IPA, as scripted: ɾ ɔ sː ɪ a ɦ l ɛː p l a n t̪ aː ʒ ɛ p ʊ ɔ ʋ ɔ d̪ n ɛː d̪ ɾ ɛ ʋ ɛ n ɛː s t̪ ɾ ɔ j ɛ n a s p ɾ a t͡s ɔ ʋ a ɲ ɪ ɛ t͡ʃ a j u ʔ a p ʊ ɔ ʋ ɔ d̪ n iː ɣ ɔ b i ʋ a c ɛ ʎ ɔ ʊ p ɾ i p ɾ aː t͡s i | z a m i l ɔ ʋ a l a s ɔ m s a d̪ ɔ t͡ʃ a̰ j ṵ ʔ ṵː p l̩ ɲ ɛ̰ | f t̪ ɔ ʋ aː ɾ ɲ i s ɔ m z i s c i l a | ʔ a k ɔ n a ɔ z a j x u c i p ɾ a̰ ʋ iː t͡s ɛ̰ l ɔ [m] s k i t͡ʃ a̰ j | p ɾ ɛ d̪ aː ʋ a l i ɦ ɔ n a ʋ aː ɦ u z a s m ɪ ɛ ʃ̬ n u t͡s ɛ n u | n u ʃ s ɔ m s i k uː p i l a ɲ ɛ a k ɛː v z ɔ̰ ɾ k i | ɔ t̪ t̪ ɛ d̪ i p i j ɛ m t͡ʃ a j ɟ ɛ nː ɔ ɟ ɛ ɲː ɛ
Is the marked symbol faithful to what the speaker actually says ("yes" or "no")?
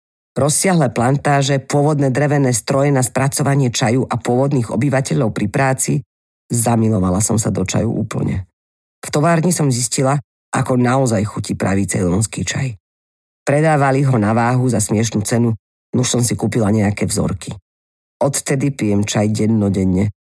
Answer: no